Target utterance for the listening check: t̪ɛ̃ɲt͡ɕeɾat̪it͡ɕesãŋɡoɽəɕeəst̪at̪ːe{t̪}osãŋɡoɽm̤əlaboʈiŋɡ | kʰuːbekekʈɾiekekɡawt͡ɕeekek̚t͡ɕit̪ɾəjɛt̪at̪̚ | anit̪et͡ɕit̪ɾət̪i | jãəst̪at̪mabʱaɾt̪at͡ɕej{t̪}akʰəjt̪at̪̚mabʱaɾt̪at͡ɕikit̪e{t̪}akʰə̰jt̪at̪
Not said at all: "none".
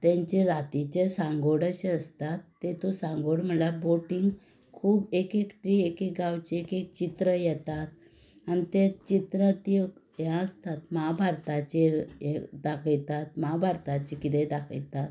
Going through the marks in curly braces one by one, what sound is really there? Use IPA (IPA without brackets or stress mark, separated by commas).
t̪, d̪, d̪